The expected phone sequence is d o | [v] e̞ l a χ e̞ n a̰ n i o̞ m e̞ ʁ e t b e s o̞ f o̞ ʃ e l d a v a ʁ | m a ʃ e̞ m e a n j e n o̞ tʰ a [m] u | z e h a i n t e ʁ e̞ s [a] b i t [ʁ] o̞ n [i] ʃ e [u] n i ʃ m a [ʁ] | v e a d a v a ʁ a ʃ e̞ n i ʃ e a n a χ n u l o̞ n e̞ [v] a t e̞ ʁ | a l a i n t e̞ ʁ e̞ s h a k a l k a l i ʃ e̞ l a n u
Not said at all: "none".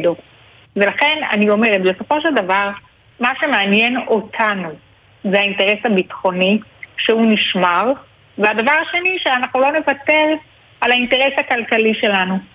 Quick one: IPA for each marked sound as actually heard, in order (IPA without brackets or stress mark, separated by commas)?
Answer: v, n, a, χ, i, u, ʁ, v